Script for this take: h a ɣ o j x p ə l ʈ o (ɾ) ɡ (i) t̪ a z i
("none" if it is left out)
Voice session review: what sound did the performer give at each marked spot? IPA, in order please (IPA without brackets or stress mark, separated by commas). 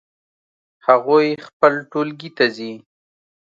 l, i